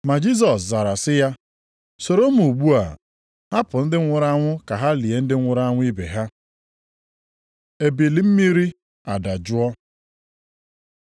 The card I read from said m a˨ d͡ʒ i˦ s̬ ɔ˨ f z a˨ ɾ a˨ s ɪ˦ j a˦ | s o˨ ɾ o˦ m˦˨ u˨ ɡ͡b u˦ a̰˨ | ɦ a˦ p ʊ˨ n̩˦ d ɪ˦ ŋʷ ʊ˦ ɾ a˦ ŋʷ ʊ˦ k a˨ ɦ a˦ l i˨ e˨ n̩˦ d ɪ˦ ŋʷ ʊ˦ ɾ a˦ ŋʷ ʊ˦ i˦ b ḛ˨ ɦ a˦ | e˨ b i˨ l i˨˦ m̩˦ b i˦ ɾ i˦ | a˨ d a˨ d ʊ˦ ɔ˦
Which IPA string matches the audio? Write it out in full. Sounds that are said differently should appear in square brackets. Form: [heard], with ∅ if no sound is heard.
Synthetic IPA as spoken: m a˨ d͡ʒ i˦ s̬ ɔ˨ [s] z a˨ ɾ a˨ s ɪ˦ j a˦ | s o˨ ɾ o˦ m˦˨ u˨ ɡ͡b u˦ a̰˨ | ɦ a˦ p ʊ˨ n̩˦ d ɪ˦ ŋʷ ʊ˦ ɾ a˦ ŋʷ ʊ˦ k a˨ ɦ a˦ l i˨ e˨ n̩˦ d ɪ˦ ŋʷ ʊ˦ ɾ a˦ ŋʷ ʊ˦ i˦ b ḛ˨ ɦ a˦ | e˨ b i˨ l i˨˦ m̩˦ [m] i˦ ɾ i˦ | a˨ d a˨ [d͡ʒ] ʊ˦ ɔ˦